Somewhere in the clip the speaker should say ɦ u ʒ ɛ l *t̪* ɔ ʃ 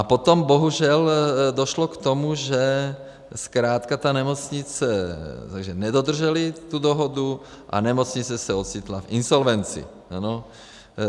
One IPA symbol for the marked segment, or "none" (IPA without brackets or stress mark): d̪